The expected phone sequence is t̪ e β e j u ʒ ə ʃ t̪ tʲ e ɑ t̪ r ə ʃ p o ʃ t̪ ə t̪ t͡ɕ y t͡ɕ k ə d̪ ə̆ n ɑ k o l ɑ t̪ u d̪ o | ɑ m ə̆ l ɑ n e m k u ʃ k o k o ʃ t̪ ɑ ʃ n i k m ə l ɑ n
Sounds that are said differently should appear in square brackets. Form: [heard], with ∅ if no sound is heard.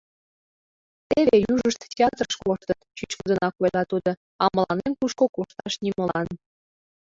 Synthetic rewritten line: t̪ e β e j u ʒ ə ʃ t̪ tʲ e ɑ t̪ r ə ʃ [k] o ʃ t̪ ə t̪ t͡ɕ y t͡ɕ k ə d̪ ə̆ n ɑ k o l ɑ t̪ u d̪ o | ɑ m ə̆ l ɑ n e m k u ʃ k o k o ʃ t̪ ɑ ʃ n i [∅] m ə l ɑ n